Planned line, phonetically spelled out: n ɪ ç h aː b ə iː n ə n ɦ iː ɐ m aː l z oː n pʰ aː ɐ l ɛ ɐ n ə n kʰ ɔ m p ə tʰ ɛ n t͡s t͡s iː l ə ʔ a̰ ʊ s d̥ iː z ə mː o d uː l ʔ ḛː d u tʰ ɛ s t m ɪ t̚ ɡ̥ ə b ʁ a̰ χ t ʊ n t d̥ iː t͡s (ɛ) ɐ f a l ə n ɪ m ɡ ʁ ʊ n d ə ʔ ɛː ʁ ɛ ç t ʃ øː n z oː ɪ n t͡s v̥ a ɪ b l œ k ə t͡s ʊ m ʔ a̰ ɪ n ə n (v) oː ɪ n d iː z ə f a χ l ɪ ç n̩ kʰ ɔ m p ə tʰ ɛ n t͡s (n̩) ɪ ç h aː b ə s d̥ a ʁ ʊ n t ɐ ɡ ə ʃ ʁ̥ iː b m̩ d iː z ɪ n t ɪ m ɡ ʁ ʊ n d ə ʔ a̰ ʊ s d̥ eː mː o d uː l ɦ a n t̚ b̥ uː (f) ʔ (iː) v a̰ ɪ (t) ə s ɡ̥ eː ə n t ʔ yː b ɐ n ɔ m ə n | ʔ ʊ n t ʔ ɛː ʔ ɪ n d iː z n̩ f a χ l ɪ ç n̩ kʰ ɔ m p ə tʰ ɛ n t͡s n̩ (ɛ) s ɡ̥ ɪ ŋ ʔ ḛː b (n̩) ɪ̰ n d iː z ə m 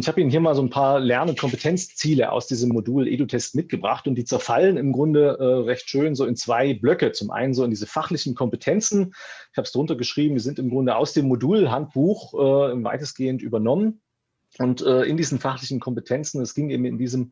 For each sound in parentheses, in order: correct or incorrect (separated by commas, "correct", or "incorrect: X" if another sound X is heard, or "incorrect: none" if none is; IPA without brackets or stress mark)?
correct, incorrect: z, correct, incorrect: x, incorrect: ɛː, correct, correct, incorrect: m̩